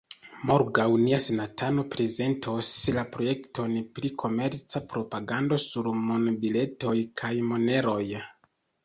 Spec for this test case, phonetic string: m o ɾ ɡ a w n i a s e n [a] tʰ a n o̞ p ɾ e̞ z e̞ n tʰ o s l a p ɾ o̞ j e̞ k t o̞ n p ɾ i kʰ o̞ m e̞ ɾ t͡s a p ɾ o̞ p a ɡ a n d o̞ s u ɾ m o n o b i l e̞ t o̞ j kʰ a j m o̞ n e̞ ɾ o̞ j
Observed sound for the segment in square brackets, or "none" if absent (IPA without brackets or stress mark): a